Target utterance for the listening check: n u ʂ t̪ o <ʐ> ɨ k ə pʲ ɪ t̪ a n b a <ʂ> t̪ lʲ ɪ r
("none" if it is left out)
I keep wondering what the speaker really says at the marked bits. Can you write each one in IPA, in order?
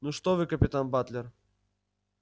v, none

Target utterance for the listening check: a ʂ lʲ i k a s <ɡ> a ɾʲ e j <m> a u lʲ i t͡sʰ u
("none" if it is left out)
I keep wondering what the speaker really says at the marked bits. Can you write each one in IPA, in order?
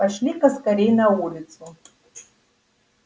k, n

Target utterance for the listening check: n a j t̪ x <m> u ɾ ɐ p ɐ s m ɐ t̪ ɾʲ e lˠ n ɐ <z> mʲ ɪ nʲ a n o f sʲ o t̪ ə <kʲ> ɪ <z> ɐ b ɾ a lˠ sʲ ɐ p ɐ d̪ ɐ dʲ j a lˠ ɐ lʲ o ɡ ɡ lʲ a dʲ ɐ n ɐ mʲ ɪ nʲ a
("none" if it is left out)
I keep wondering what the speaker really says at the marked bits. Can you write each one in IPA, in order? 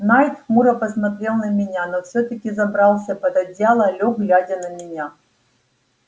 m, none, kʲ, z

